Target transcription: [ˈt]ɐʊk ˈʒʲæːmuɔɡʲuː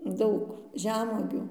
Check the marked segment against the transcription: incorrect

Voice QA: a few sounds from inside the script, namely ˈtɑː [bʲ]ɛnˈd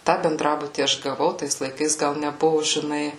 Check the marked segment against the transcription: correct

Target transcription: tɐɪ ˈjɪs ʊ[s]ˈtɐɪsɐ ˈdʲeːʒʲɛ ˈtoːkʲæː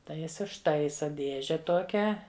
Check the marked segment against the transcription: incorrect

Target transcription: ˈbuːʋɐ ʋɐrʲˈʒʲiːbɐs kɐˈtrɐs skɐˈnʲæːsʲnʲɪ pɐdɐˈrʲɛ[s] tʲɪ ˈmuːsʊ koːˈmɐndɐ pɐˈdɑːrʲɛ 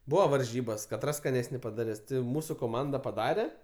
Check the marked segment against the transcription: correct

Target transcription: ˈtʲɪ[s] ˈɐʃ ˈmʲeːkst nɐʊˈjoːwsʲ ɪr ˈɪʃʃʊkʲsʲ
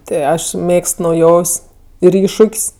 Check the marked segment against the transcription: incorrect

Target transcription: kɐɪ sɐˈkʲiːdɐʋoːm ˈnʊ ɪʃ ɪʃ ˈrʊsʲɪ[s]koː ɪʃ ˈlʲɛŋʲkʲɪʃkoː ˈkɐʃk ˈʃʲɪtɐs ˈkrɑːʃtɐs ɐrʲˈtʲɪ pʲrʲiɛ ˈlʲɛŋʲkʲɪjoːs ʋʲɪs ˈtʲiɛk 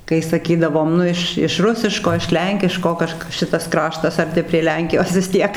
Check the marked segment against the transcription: incorrect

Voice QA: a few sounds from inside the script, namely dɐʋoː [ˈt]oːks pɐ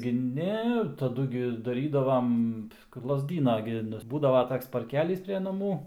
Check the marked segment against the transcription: correct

